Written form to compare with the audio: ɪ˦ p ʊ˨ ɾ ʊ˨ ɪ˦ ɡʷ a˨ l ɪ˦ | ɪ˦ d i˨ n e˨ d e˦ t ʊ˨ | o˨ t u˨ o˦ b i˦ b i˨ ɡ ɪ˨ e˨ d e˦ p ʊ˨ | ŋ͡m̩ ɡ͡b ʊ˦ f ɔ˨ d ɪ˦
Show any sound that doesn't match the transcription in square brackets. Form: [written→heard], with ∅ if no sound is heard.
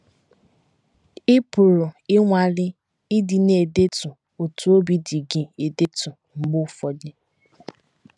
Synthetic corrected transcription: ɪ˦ p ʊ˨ ɾ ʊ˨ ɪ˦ [ɡʷ→ŋʷ] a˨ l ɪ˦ | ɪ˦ d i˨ n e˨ d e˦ t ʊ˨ | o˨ t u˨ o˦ b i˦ [b→d] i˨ ɡ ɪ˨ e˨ d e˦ [p→t] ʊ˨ | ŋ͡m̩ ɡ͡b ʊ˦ f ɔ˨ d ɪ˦

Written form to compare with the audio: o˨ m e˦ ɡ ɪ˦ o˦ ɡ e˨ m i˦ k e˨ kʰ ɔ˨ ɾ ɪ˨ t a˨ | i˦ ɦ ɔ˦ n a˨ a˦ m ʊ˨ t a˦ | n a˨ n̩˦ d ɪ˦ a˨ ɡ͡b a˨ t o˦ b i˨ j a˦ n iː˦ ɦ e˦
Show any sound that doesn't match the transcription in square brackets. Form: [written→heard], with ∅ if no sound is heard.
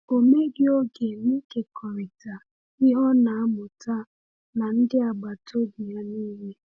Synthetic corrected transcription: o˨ m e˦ ɡ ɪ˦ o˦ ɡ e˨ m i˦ k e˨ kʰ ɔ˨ ɾ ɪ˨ t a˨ | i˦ ɦ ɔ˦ n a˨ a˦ m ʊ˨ t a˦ | n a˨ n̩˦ d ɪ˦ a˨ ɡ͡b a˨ t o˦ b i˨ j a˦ n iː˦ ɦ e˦

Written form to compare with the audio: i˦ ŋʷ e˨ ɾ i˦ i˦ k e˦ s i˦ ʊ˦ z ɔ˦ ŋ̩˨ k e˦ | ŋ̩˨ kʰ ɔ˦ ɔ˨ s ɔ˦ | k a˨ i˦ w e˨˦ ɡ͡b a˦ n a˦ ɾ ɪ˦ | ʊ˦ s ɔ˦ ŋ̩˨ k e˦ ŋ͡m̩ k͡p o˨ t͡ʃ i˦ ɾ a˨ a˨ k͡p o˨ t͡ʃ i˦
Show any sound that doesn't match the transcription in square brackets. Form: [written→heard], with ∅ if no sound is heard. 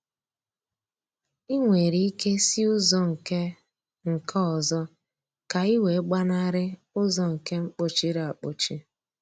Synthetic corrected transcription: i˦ ŋʷ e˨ ɾ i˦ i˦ k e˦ s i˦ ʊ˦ z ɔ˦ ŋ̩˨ k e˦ | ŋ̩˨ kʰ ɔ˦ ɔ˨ [s→z] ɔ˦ | k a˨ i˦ w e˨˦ ɡ͡b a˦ n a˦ ɾ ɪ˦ | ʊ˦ [s→z] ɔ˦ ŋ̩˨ k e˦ ŋ͡m̩ k͡p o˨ t͡ʃ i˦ ɾ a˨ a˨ k͡p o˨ t͡ʃ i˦

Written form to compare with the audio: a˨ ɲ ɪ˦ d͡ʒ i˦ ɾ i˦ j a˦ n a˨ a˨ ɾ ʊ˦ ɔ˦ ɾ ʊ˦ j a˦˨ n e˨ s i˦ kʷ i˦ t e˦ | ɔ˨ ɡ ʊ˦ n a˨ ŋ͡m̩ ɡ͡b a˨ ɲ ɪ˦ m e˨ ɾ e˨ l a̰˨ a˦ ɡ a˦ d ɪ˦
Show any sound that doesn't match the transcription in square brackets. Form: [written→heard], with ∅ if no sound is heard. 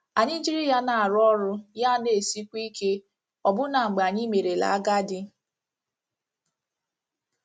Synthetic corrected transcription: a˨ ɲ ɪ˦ d͡ʒ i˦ ɾ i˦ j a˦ n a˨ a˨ ɾ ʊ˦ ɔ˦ ɾ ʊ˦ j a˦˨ n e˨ s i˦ kʷ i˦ [t→k] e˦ | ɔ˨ [ɡ→b] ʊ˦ n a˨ ŋ͡m̩ ɡ͡b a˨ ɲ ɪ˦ m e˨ ɾ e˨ l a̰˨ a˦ ɡ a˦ d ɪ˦

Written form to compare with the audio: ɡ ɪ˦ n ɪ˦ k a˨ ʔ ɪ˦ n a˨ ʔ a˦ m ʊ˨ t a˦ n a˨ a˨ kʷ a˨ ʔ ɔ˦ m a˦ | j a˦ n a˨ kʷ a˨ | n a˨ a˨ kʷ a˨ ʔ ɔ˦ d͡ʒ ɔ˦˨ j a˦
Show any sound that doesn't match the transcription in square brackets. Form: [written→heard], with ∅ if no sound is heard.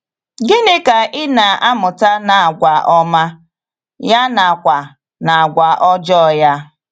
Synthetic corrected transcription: ɡ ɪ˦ n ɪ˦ k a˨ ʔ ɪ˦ n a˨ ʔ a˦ m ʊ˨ t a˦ n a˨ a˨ [kʷ→ɡʷ] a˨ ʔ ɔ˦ m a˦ | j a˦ n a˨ kʷ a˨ | n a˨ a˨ [kʷ→ɡʷ] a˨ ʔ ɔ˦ d͡ʒ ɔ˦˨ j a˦

